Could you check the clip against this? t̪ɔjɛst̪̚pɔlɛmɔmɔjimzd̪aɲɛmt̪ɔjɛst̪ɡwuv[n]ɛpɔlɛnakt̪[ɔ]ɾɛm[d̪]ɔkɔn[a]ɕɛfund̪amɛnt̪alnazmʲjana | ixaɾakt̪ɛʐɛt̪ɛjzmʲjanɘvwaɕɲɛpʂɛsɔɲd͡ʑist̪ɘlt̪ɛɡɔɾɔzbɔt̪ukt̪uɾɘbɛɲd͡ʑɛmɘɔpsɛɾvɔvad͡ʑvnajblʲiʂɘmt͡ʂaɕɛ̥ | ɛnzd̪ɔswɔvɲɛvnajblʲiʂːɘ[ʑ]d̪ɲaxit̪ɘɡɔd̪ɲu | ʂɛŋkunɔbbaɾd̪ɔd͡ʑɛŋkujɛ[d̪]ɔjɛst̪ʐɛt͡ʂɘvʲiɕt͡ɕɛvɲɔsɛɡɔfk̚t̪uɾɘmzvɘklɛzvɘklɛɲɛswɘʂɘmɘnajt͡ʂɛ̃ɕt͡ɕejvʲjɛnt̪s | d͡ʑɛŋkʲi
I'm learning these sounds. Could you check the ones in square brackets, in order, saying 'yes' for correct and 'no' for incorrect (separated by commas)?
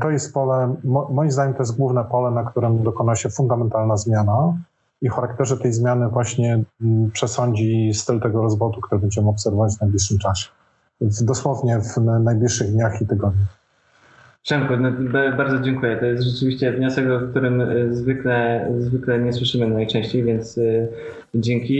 yes, no, yes, yes, no, no